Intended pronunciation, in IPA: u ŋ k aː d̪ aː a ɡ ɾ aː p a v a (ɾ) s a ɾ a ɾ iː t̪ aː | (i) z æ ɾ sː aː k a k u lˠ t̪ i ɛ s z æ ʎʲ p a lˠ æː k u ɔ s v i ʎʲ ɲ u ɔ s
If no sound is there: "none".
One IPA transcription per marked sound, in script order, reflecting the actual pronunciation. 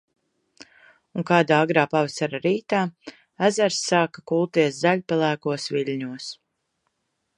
none, æ

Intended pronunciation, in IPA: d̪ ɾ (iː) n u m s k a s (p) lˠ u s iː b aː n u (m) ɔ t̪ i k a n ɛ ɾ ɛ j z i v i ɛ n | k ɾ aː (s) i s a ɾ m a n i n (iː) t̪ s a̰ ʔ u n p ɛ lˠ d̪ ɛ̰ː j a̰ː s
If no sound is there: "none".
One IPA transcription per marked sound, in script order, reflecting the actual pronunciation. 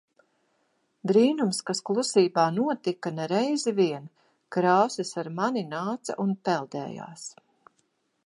iː, k, none, s, aː

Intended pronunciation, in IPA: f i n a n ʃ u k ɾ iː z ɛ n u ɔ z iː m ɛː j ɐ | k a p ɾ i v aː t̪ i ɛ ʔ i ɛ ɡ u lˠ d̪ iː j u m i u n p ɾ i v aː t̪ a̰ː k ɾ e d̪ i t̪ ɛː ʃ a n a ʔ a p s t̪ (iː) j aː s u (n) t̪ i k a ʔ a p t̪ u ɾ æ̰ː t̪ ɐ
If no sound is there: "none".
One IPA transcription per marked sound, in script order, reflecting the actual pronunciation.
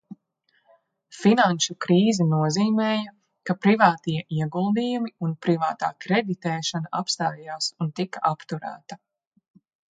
aː, n

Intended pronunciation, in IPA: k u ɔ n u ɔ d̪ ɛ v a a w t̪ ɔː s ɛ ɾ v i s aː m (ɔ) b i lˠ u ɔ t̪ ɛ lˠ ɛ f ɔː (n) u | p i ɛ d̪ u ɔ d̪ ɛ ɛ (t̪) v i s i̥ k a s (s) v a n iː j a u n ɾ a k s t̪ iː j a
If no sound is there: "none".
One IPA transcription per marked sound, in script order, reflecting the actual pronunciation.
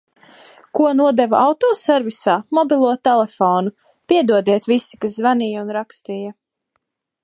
ɔ, n, t̪, z

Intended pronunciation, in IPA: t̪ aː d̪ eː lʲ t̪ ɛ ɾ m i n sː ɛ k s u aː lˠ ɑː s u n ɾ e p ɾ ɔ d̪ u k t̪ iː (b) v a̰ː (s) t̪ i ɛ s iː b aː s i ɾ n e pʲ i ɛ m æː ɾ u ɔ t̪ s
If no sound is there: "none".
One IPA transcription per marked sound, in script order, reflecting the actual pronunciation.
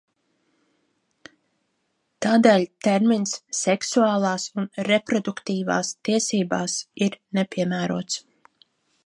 none, s

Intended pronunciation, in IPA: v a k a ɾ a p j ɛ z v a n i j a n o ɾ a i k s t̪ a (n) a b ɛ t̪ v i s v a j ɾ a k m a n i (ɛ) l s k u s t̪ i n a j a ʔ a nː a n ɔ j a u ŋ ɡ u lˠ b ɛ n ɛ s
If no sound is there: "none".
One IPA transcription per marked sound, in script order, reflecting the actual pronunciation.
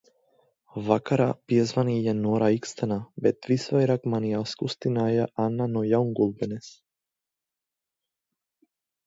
n, a

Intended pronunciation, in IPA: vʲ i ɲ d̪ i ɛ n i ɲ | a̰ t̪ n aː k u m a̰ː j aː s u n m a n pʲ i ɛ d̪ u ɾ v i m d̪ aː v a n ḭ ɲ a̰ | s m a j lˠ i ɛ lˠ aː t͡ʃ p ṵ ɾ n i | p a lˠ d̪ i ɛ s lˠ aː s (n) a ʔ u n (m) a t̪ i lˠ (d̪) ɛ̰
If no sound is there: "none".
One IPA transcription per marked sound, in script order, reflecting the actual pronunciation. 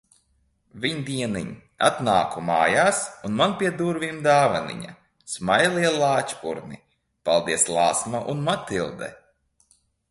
m, m, d̪

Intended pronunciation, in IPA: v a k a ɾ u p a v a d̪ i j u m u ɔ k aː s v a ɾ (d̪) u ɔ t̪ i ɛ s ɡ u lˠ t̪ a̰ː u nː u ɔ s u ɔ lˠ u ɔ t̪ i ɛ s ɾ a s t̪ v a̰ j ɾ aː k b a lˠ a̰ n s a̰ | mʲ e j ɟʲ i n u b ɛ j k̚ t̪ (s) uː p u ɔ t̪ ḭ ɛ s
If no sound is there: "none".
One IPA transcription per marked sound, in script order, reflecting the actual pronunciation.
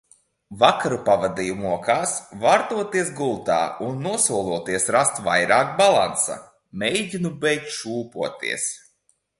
t̪, ʃ

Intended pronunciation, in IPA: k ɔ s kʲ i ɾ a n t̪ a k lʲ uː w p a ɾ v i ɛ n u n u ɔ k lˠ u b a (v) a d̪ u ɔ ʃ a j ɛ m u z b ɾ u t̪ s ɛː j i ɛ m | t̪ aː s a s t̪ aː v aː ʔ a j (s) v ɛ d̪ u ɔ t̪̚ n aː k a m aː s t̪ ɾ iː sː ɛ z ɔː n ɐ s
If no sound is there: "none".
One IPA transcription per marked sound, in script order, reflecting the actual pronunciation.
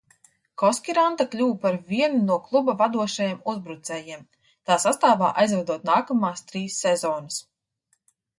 v, z

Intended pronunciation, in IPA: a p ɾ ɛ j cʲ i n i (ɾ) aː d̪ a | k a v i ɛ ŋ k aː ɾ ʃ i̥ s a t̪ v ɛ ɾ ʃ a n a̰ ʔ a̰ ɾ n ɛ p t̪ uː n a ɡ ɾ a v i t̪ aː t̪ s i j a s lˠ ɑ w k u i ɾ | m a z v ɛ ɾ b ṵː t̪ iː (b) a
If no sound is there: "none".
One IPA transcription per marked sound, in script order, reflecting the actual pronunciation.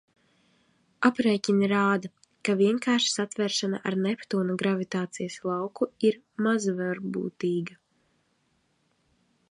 ɾ, ɡ

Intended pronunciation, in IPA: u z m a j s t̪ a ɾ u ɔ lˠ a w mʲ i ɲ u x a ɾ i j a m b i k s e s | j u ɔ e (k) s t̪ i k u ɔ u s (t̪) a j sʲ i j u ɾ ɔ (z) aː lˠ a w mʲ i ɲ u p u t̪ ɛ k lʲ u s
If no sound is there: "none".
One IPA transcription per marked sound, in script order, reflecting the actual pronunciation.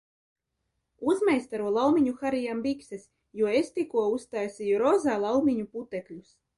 none, t̪, z

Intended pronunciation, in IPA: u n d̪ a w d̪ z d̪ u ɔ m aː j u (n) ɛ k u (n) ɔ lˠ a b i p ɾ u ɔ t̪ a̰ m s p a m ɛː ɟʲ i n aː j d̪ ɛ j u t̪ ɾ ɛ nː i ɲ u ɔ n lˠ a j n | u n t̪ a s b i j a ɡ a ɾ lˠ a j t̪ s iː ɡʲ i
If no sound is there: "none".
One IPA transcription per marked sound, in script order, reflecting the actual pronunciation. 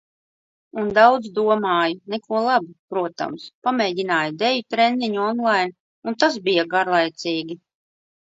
n, none

